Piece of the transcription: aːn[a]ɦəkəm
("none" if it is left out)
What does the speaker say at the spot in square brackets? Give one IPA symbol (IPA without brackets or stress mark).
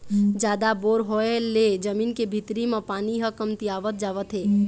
i